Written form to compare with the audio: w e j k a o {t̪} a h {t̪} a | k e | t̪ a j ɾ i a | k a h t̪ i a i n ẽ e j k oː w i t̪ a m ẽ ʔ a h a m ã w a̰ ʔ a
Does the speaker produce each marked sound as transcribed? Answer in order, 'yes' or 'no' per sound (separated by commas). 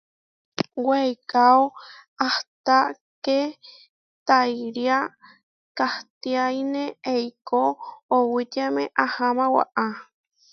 no, yes